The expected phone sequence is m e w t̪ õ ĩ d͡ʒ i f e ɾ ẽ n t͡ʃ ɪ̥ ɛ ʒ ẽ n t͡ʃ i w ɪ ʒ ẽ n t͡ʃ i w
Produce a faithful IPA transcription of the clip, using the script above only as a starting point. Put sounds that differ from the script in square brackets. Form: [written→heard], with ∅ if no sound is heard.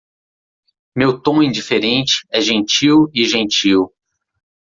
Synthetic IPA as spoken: m e w t̪ õ ĩ d͡ʒ i f e ɾ ẽ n t͡ʃ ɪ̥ ɛ ʒ ẽ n t͡ʃ i w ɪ ʒ ẽ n t͡ʃ i w